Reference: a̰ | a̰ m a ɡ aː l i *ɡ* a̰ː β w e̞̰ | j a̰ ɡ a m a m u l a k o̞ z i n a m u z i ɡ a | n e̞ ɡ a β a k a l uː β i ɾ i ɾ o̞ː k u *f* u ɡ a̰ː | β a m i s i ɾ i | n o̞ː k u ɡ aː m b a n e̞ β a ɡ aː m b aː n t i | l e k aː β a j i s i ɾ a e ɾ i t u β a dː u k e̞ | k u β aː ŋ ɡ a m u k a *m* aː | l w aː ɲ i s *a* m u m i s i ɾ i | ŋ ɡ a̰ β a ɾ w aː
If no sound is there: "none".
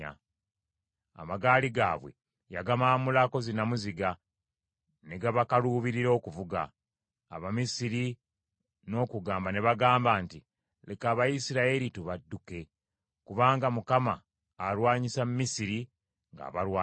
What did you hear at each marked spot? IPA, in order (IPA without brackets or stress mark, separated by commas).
ɡ, v, m, a